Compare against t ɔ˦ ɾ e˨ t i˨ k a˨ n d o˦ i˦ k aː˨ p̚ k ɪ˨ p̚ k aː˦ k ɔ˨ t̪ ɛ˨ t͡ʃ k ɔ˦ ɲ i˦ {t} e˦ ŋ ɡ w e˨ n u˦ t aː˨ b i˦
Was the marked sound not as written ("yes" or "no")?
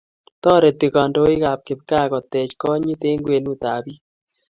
no